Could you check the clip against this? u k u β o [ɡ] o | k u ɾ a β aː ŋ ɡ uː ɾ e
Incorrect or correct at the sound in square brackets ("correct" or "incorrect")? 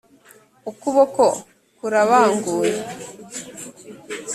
incorrect